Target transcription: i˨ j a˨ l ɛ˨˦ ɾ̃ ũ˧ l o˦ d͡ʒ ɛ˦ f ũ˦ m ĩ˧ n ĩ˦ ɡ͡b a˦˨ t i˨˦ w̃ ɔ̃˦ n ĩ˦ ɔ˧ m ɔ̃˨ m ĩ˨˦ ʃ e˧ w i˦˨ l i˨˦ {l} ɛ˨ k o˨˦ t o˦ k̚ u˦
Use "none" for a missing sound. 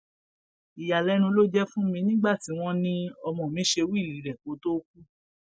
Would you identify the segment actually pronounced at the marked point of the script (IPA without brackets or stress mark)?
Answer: ɾ